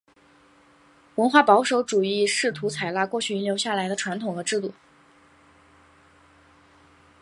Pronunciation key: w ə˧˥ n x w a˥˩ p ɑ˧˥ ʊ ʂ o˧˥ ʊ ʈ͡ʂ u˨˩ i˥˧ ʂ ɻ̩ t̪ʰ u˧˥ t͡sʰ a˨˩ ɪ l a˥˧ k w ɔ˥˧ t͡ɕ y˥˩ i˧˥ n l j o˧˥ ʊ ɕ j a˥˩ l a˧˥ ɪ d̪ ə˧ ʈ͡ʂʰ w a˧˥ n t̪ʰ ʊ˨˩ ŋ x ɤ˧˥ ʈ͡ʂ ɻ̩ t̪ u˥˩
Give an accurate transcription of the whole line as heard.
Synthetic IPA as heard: w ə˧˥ n x w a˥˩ p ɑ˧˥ ʊ ʂ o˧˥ ʊ ʈ͡ʂ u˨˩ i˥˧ ʂ ɻ̩ t̪ʰ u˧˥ t͡sʰ a˨˩ ɪ l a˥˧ k w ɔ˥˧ t͡ɕʰ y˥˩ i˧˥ n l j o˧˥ ʊ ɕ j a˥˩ l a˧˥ ɪ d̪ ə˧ ʈ͡ʂʰ w a˧˥ n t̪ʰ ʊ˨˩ ŋ x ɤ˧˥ ʈ͡ʂ ɻ̩ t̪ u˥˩